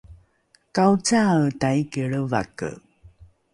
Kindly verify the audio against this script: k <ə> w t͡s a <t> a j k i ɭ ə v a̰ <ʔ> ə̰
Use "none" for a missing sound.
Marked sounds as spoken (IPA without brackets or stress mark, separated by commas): a, t, k